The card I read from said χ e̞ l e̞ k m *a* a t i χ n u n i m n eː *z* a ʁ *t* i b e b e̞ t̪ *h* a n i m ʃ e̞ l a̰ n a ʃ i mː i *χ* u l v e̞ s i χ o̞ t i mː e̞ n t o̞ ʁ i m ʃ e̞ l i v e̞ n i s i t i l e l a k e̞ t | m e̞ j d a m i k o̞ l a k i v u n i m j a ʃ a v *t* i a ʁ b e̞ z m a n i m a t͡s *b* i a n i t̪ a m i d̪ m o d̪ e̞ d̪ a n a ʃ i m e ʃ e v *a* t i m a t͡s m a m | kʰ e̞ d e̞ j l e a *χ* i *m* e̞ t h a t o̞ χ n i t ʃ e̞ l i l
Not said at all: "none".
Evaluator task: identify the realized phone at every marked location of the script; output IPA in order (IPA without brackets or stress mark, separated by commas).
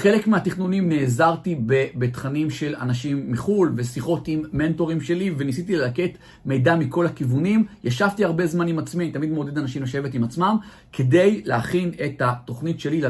e, z, t, χ, χ, t, m, e, χ, n